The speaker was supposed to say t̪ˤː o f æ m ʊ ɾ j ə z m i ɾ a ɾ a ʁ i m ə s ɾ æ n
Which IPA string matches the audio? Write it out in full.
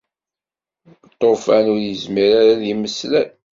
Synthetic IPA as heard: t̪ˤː o f æ n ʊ ɾ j ə z m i ɾ a ɾ a ð i m ə s l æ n